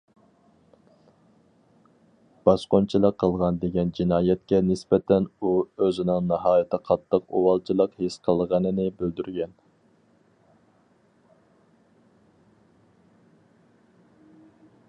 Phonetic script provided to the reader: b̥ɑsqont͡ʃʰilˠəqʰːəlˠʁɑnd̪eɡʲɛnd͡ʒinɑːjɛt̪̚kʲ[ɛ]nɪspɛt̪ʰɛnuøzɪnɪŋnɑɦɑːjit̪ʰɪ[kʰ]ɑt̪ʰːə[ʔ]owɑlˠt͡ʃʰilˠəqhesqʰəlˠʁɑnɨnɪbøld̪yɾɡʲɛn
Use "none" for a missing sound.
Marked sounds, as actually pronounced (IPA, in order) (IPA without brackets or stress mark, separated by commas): ɛ, qʰ, q